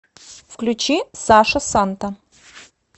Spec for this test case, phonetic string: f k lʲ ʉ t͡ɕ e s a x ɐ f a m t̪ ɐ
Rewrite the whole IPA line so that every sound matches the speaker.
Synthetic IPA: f k lʲ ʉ t͡ɕ i s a ʂ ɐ s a n t̪ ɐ